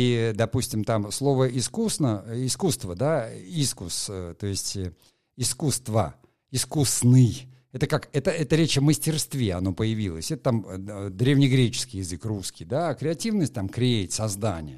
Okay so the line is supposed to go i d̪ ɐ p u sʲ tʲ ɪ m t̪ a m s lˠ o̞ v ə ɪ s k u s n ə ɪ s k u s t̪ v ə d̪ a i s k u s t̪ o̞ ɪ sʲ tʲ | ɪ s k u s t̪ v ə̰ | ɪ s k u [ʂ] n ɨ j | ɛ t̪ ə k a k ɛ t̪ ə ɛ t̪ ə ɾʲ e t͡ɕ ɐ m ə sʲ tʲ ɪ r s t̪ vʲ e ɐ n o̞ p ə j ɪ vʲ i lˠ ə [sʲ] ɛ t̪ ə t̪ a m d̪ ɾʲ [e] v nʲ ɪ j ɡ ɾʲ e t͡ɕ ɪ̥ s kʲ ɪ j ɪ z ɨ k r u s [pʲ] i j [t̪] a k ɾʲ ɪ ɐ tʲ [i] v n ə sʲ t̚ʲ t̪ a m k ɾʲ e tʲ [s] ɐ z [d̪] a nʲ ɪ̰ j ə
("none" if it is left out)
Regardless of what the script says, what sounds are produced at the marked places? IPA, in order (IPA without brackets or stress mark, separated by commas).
s, sʲ, e, kʲ, d̪, i, s, d̪